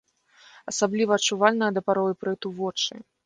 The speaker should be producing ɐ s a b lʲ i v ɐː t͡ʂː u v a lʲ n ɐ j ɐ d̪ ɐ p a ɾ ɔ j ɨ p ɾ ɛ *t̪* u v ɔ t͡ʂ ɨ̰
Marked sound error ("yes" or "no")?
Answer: no